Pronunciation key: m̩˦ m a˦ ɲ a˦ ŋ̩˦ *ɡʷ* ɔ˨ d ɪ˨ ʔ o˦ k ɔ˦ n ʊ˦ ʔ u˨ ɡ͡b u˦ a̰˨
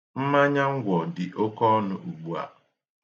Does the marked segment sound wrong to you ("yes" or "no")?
no